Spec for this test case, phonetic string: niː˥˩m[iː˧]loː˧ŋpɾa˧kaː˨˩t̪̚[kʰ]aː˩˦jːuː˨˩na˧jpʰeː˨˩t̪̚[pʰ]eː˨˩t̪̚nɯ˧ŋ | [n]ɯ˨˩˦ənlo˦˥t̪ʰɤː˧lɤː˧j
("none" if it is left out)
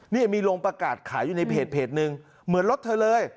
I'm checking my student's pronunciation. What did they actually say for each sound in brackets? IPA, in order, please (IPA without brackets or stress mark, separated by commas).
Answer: iː˧, kʰ, pʰ, m